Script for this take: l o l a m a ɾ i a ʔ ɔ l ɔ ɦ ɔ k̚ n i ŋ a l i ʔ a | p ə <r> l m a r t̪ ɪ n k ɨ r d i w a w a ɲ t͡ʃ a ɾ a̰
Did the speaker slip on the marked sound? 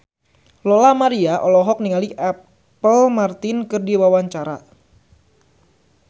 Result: yes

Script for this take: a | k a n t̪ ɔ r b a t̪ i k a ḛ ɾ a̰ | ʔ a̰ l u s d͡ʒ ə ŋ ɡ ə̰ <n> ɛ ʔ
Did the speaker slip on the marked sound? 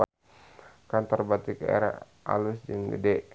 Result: yes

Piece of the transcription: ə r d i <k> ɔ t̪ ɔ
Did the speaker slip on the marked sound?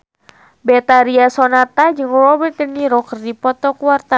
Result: yes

